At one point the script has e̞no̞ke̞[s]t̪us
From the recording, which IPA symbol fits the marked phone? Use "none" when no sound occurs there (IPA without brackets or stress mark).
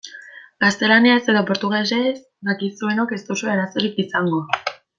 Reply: s